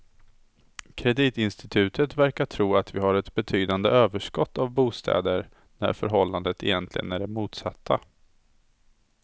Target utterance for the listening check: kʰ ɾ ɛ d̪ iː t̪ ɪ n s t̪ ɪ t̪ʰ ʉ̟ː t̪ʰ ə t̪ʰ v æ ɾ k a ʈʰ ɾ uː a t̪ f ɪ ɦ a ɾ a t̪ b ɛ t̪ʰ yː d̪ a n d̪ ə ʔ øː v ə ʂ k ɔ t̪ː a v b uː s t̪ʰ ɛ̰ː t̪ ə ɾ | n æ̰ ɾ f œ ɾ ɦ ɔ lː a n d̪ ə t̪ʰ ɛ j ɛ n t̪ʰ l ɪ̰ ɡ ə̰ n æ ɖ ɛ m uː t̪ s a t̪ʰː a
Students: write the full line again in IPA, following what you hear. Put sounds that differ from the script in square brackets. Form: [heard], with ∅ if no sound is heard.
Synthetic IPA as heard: kʰ ɾ ɛ d̪ iː t̪ ɪ n s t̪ ɪ t̪ʰ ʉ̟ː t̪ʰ ə [t̪] v æ ɾ k a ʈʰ ɾ uː a t̪ [v] ɪ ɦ a ɾ [ɛ] t̪ b ɛ t̪ʰ yː d̪ a n d̪ ə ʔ øː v ə ʂ k ɔ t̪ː a v b uː s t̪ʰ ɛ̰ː [d̪] ə ɾ | n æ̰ ɾ f œ ɾ ɦ ɔ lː a n d̪ ə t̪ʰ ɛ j ɛ n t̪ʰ l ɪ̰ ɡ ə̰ n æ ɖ ɛ m uː t̪ s a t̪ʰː a